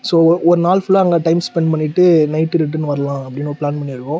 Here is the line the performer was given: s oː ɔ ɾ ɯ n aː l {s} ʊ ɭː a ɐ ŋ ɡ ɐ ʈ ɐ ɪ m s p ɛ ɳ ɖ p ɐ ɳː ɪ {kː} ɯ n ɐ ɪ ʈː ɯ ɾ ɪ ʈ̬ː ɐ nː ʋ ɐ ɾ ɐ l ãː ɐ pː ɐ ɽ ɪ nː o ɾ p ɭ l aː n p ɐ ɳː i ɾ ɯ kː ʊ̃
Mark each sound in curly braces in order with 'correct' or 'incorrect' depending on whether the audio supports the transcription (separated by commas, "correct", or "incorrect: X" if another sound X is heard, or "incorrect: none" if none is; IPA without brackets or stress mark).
incorrect: f, incorrect: ʈː